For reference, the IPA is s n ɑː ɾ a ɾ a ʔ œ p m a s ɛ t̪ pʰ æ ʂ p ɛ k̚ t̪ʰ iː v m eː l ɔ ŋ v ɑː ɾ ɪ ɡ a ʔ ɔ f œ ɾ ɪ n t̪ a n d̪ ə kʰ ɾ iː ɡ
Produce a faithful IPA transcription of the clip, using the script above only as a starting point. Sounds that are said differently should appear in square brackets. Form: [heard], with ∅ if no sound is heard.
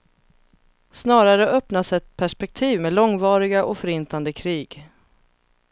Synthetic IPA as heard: s n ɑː ɾ a ɾ [ə] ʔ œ p [n] a s ɛ t̪ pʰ æ ʂ p ɛ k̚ t̪ʰ iː v m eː l ɔ ŋ v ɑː ɾ ɪ ɡ a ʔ ɔ f œ ɾ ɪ n t̪ a n d̪ ə kʰ ɾ iː ɡ